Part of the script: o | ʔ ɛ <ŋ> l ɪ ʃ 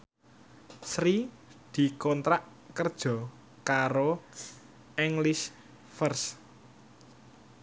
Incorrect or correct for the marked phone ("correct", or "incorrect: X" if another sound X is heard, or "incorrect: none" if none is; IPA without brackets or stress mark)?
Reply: correct